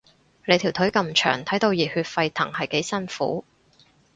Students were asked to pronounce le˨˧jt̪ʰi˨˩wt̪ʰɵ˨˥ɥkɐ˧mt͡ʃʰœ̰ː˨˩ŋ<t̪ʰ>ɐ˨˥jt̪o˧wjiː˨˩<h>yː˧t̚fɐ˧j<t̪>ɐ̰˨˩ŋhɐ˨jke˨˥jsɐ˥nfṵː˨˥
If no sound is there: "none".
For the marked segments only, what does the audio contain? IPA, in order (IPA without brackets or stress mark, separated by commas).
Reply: t̪ʰ, h, t̪ʰ